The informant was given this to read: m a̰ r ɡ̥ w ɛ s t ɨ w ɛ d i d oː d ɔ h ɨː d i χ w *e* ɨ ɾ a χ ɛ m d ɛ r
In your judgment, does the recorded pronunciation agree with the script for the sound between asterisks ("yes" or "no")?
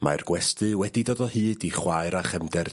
no